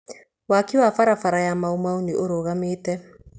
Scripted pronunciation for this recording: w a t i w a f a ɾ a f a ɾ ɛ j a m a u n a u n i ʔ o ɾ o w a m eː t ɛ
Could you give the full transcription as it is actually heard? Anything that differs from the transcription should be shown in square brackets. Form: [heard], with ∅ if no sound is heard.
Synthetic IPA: w a [k] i w a f a ɾ a f a ɾ [a] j a m a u [m] a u n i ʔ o ɾ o [ɣ] a m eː t ɛ